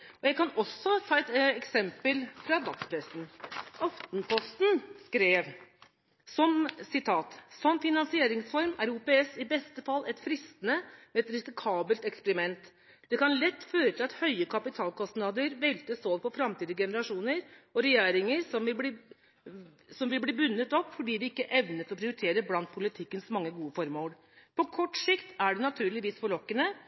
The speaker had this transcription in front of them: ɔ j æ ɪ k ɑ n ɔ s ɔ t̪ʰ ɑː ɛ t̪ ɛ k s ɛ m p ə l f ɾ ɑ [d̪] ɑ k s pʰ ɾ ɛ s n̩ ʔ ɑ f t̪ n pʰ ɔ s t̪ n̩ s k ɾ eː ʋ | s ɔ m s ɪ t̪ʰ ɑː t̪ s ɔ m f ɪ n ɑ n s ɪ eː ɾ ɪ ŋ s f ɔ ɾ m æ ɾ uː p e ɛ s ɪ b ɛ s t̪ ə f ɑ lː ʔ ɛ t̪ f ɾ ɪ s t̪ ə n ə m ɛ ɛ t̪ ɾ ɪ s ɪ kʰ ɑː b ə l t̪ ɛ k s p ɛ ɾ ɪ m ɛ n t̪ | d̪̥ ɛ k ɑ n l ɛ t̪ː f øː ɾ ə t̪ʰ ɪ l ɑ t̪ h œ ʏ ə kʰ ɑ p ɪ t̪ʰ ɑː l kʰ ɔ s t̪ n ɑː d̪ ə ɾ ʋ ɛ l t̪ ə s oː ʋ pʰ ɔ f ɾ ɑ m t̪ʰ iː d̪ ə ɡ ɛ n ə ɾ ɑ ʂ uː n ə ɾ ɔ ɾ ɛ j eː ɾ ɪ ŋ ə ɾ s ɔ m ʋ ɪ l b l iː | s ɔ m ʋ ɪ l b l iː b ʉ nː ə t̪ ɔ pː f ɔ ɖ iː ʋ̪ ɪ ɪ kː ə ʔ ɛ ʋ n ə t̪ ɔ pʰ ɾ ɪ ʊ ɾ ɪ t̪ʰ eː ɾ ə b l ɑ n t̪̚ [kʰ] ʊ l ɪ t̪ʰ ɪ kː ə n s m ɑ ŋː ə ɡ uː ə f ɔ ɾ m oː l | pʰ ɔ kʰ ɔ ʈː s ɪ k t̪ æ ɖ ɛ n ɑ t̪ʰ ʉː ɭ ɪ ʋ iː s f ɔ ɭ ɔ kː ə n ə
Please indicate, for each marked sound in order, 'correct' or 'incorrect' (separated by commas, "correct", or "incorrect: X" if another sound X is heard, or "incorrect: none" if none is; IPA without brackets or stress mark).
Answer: correct, incorrect: pʰ